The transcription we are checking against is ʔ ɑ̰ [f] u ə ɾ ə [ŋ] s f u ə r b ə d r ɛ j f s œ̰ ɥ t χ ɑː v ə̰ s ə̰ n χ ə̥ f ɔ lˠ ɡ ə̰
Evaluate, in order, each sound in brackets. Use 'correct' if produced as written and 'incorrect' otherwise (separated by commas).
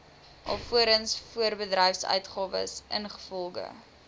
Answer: correct, incorrect